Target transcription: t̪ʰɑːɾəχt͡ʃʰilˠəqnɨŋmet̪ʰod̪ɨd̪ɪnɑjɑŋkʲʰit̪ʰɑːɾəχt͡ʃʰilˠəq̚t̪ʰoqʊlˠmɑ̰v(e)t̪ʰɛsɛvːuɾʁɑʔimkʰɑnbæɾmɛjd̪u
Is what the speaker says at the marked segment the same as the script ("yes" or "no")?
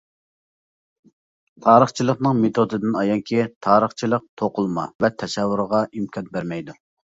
no